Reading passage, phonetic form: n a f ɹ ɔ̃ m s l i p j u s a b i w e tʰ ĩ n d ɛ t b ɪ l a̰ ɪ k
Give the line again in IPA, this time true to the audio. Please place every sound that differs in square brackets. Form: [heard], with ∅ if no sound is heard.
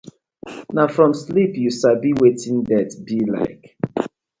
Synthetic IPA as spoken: n a f ɹ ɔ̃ m s l i p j u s a b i w e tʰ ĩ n d ɛ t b [i] l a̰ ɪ k

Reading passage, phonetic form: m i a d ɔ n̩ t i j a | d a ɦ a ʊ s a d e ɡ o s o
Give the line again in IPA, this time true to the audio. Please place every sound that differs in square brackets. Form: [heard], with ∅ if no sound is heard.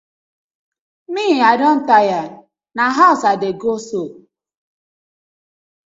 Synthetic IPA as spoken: m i a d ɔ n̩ t [a] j a | [n] a ɦ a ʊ s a d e ɡ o s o

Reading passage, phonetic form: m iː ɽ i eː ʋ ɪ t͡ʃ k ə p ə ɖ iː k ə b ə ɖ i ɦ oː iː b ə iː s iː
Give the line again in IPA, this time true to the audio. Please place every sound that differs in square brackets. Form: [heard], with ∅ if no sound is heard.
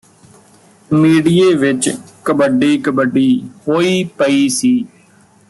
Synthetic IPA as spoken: m iː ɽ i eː ʋ ɪ t͡ʃ k ə [b] ə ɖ iː k ə b ə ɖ [iː] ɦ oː iː [p] ə iː s iː

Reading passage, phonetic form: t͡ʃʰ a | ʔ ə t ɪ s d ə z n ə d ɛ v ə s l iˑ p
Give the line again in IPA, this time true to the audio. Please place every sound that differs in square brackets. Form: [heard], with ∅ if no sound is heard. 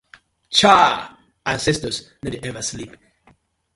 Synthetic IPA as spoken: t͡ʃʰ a | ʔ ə [s] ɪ s [t] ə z n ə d ɛ v ə s l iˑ p

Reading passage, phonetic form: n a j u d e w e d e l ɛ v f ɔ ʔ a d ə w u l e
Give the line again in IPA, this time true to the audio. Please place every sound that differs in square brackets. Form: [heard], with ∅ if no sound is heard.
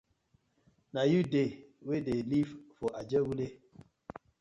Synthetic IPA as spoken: n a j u d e w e d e l [i] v f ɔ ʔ a [d͡ʒ] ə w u l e

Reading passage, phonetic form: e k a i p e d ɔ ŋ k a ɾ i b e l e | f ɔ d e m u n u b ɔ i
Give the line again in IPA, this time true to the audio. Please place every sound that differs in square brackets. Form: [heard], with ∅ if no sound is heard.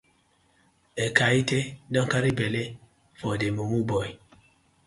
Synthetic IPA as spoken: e k a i [t] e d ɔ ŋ k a ɾ i b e l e | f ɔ d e m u [m] u b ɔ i

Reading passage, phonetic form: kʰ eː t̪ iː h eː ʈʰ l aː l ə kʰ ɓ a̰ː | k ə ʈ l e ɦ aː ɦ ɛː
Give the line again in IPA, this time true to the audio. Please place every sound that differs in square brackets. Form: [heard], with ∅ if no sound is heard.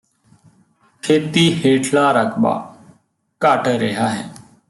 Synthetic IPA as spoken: kʰ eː t̪ iː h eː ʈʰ l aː [ɾ] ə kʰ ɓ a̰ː | k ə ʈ [ɾ] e ɦ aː ɦ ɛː

